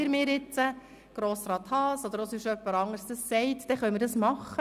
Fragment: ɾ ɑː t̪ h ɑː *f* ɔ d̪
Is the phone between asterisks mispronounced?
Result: yes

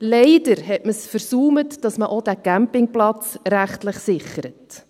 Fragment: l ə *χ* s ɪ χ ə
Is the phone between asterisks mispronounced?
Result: no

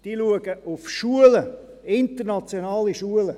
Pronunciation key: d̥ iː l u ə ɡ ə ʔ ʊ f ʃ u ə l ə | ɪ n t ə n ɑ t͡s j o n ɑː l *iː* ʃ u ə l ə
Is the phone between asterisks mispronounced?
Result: yes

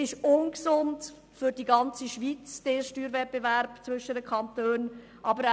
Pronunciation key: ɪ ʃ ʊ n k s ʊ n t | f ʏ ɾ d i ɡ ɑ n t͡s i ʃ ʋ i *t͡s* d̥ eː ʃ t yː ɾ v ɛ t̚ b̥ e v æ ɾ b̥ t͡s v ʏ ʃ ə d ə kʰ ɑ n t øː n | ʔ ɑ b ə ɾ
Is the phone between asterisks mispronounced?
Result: no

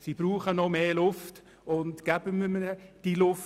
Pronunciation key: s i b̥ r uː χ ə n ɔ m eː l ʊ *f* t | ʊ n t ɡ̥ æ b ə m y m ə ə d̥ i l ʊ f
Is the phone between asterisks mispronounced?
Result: no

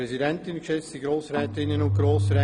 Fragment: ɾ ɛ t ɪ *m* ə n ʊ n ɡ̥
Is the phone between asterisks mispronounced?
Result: yes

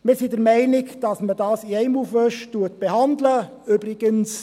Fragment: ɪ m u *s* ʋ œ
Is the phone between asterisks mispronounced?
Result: yes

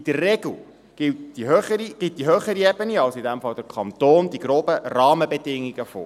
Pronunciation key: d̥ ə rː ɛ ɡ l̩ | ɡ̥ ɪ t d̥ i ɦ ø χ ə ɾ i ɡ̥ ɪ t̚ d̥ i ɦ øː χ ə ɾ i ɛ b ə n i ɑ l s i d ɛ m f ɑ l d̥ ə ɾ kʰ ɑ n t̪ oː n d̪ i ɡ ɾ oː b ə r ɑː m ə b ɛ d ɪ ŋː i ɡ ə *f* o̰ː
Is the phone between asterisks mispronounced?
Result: no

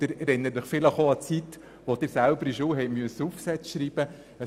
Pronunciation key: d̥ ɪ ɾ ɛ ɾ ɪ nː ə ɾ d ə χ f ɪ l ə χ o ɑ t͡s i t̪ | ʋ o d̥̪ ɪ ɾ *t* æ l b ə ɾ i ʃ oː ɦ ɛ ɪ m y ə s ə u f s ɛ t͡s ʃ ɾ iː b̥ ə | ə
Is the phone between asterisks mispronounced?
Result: yes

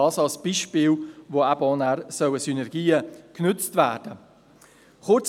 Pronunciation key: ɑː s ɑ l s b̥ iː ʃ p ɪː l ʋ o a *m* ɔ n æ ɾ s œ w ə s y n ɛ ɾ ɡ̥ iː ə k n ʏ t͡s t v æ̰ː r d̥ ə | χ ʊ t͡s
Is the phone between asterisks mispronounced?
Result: yes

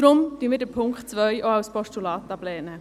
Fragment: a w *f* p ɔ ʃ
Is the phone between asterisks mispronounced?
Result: yes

